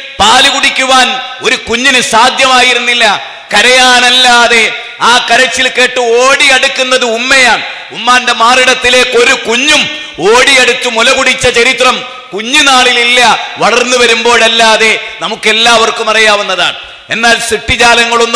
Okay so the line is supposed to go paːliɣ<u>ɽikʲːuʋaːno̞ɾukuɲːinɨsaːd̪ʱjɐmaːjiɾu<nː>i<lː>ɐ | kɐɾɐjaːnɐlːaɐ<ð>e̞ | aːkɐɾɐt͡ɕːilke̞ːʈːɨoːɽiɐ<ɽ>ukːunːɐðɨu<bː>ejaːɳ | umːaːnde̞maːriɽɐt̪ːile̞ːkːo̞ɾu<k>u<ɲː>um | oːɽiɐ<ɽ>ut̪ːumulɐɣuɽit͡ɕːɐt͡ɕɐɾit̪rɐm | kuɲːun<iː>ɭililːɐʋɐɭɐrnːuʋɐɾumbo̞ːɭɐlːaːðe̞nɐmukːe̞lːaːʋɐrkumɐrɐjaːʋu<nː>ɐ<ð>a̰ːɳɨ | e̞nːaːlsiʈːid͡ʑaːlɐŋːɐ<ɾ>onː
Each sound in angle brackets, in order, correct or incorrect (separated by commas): correct, correct, correct, correct, correct, incorrect, correct, correct, correct, incorrect, correct, correct, incorrect